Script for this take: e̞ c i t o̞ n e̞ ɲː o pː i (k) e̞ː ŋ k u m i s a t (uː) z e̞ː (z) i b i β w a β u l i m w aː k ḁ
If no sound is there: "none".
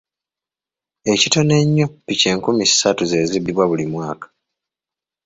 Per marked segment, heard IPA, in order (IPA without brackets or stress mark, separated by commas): c, u, z